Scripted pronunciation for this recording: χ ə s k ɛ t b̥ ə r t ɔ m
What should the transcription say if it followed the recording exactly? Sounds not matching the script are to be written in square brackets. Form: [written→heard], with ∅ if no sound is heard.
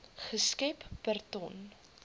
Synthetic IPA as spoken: χ ə s k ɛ [t→p] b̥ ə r t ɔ [m→n]